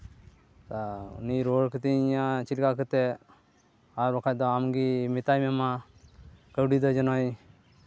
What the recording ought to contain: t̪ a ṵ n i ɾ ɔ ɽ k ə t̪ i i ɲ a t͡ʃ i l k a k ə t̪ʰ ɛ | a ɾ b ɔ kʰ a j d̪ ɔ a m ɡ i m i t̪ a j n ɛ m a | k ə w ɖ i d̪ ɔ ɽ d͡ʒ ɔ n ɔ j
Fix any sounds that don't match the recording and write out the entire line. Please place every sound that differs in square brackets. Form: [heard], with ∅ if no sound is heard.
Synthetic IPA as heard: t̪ a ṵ n i ɾ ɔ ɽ k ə t̪ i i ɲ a t͡ʃ i l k a k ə [t̪] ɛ | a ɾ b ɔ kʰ a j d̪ ɔ a m ɡ i m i t̪ a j [m] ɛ m a | k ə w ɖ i d̪ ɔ [∅] d͡ʒ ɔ n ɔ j